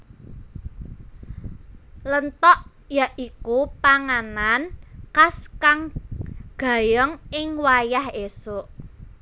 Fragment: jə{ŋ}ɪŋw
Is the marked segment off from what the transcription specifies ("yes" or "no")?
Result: no